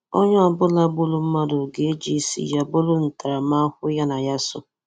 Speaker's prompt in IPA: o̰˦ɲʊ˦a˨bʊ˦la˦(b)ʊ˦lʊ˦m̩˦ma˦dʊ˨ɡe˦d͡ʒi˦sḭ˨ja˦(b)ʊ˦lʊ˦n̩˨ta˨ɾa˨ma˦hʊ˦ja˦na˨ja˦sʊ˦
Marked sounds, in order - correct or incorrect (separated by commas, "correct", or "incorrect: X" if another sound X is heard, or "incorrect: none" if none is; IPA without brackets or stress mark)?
correct, correct